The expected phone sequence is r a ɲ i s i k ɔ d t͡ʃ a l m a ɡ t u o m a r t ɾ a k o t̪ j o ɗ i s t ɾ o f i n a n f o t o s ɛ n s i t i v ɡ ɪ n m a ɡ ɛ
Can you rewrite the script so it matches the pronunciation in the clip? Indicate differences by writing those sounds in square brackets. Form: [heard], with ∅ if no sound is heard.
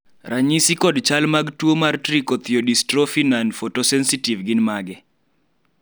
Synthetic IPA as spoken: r a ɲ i s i k ɔ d t͡ʃ a l m a ɡ t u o m a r t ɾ [i] k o t̪ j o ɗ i s t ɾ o f i n a n f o t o s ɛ n s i t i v ɡ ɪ n m a ɡ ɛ